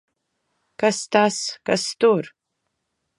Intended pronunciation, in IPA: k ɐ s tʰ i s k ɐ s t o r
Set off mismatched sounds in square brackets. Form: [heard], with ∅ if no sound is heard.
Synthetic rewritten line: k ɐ s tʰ [a] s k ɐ s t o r